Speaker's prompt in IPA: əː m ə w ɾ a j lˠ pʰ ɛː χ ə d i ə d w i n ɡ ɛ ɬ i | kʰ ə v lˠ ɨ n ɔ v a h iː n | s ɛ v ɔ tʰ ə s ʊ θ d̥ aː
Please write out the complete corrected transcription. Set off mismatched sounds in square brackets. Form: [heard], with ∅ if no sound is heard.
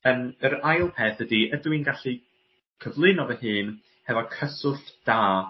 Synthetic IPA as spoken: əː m ə [∅] ɾ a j lˠ pʰ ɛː [θ] ə d i ə d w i n ɡ [a] ɬ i | kʰ ə v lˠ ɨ n ɔ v [ə] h [ɨː] n | [h] ɛ v ɔ [kʰ] ə s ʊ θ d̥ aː